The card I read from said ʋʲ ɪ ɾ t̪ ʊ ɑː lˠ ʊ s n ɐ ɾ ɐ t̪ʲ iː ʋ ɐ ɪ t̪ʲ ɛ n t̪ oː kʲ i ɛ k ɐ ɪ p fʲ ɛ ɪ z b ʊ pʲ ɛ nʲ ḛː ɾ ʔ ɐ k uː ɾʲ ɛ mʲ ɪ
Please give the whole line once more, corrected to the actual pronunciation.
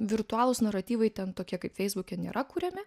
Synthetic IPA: ʋʲ ɪ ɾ t̪ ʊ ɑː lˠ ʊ s n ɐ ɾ ɐ t̪ʲ iː ʋ ɐ ɪ t̪ʲ ɛ n t̪ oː kʲ i ɛ k ɐ ɪ p fʲ ɛ ɪ z b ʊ kʲ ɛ nʲ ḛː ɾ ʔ ɐ k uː ɾʲ ɛ mʲ ɪ